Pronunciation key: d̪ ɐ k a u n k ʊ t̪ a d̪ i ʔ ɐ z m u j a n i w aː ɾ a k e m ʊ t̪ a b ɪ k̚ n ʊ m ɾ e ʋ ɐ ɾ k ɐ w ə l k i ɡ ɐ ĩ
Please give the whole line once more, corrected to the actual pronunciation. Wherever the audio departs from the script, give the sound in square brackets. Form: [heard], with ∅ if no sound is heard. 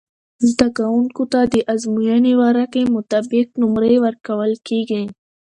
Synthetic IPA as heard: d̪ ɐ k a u n k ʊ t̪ a d̪ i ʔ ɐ z m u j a n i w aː ɾ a k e m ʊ t̪ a b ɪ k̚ n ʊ m ɾ e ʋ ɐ ɾ k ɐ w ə l k i ɡ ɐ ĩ